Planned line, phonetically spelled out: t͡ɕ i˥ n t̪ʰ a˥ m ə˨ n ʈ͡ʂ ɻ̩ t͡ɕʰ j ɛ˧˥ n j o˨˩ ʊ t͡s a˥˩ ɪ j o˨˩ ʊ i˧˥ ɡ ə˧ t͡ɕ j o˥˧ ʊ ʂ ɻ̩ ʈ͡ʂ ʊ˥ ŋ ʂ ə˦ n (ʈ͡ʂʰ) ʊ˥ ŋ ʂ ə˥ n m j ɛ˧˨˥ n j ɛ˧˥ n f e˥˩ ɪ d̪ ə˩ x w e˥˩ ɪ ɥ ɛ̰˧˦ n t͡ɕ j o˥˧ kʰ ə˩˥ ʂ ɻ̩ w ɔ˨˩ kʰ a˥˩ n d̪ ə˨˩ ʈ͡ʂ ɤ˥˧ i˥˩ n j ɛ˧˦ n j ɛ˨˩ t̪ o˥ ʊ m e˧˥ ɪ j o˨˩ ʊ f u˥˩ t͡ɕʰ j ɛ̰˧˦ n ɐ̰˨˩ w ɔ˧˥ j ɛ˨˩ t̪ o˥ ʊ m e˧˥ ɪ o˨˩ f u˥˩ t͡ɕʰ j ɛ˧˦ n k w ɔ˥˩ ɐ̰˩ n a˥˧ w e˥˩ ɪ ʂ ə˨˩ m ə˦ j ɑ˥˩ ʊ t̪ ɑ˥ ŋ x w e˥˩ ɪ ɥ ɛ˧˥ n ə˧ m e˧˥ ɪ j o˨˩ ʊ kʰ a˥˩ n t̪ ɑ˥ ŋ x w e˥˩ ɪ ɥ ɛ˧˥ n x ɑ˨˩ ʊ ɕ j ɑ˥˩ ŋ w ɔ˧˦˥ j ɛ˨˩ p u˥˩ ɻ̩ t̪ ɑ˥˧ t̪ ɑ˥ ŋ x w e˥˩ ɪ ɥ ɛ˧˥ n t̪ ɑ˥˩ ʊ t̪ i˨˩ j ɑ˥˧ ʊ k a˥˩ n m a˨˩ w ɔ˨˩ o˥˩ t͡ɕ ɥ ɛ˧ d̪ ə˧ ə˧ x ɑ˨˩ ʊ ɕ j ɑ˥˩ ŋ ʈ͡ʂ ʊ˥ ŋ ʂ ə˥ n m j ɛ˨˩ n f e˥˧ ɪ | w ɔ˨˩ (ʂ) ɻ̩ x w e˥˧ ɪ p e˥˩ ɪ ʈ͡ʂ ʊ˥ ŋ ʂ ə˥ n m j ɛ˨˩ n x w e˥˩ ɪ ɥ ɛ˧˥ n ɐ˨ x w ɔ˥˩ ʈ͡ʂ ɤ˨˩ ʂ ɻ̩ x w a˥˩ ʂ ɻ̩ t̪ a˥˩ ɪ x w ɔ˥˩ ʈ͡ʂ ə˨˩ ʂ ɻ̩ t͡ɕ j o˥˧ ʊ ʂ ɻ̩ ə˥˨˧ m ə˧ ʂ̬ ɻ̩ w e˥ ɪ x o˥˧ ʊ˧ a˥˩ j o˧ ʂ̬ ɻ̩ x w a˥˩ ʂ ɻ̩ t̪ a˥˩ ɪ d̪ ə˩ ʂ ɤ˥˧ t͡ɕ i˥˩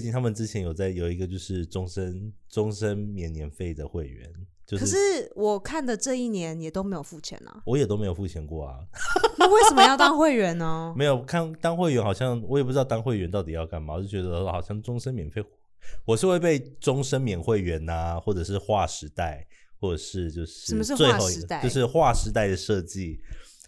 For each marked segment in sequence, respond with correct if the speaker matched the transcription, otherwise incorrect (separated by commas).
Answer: incorrect, correct